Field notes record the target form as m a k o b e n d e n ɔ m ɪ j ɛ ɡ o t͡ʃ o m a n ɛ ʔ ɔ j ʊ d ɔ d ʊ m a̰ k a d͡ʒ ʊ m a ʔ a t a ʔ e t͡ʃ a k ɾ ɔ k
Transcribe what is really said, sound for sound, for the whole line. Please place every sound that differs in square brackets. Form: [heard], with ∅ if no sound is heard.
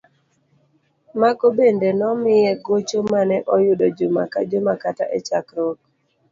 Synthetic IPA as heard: m a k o b e n d e n ɔ m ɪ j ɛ ɡ o t͡ʃ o m a n ɛ ʔ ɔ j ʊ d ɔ [d͡ʒ] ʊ m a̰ k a d͡ʒ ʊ m a [k] a t a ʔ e t͡ʃ a k ɾ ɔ k